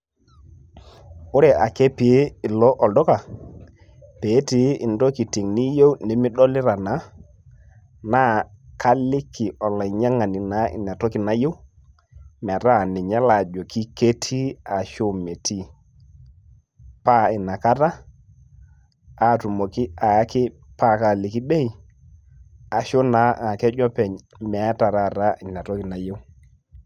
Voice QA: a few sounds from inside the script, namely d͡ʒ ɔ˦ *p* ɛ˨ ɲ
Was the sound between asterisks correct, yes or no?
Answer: yes